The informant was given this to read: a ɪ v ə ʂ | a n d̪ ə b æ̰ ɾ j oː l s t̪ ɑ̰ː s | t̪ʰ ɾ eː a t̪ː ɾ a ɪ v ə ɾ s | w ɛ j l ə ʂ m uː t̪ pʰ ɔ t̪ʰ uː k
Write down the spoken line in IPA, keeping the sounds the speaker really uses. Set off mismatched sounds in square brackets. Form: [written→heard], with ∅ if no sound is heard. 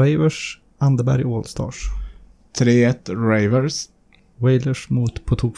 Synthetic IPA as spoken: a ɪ v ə ʂ | a n d̪ ə b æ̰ ɾ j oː l s t̪ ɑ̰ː [s→ʂ] | t̪ʰ ɾ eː [a→ɛ] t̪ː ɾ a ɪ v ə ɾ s | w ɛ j l ə ʂ m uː t̪ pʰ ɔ t̪ʰ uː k